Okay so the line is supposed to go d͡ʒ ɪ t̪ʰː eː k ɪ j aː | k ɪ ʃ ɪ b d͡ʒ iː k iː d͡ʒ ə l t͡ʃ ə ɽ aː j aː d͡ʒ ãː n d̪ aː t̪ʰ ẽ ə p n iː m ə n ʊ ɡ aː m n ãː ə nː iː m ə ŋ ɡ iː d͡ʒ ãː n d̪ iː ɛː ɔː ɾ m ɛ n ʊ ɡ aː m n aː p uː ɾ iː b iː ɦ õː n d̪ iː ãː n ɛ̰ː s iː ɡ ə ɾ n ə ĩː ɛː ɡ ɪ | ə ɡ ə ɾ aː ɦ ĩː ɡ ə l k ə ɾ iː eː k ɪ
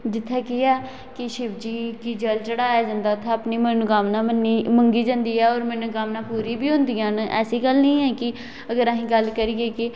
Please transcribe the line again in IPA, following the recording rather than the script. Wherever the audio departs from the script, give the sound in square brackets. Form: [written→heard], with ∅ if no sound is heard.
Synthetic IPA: d͡ʒ ɪ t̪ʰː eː k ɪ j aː | k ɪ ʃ ɪ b d͡ʒ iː k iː d͡ʒ ə l t͡ʃ ə ɽ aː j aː d͡ʒ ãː n d̪ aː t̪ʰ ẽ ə p n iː m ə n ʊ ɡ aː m n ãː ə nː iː m ə ŋ ɡ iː d͡ʒ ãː n d̪ iː ɛː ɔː ɾ m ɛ n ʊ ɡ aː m n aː p uː ɾ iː b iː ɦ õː n d̪ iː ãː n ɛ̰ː s iː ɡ ə [ɾ→l] n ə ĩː ɛː [ɡ→k] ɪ | ə ɡ ə ɾ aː ɦ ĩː ɡ ə l k ə ɾ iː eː k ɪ